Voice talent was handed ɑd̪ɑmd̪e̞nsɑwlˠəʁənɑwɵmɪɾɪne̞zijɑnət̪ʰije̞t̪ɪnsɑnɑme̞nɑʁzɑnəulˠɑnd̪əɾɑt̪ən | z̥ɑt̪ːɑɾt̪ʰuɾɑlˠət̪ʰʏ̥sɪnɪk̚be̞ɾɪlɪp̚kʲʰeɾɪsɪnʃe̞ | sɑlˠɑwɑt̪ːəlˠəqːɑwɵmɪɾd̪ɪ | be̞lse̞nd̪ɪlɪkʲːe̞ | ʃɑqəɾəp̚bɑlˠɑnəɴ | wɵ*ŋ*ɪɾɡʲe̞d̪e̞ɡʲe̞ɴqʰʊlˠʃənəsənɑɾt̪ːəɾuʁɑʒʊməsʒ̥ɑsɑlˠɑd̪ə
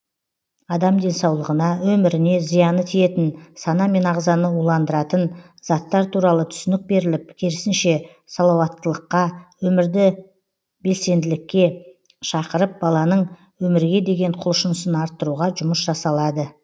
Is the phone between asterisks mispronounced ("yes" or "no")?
yes